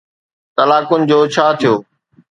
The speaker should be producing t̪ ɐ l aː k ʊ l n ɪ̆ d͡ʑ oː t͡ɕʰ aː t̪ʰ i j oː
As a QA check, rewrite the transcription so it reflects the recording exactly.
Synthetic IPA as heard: t̪ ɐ l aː k ʊ n ɪ̆ d͡ʑ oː t͡ɕʰ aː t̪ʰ i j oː